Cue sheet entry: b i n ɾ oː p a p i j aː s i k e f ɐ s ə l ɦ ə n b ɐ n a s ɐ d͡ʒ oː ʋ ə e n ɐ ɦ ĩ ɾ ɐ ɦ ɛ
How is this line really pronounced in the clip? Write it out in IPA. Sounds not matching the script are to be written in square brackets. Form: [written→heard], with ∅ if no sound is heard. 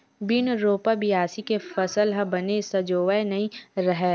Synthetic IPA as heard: b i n ɾ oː p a [p→b] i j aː s i k e f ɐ s ə l ɦ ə [n→∅] b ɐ n [a→e] s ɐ d͡ʒ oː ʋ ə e n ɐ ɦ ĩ ɾ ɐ ɦ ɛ